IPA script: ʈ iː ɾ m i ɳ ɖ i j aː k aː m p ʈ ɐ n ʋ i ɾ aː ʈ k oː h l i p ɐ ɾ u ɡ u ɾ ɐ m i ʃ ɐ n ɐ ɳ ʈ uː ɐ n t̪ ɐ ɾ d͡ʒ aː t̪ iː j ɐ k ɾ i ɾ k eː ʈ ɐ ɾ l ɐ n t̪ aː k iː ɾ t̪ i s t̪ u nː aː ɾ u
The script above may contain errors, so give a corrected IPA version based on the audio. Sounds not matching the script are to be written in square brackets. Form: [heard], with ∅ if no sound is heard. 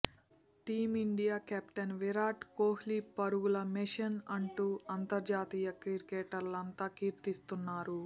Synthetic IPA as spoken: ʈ iː [∅] m i ɳ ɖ i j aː k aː [∅] p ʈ ɐ n ʋ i ɾ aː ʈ k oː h l i p ɐ ɾ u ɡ u [l] ɐ m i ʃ ɐ n ɐ ɳ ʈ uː ɐ n t̪ ɐ ɾ d͡ʒ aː t̪ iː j ɐ k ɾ i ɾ k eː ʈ ɐ ɾ l ɐ n t̪ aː k iː ɾ t̪ i s t̪ u nː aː ɾ u